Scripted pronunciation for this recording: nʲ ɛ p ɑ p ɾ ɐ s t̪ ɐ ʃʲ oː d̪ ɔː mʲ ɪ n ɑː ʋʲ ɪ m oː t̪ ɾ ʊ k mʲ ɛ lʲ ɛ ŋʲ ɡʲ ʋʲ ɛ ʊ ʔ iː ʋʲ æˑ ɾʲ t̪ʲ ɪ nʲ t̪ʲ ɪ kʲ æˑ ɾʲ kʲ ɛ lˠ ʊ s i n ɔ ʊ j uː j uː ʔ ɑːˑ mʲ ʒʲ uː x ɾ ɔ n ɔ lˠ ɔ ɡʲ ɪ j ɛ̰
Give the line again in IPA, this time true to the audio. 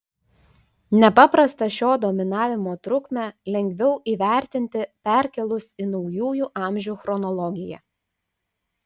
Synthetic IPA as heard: nʲ ɛ p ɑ p ɾ ɐ s t̪ ɐ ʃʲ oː d̪ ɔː mʲ ɪ n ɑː ʋʲ ɪ m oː t̪ ɾ ʊ k mʲ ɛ lʲ ɛ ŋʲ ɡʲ ʋʲ ɛ ʊ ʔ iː ʋʲ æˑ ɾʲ t̪ʲ ɪ nʲ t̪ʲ ɪ pʲ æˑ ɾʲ kʲ ɛ lˠ ʊ s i n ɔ ʊ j uː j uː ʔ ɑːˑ mʲ ʒʲ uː x ɾ ɔ n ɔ lˠ ɔ ɡʲ ɪ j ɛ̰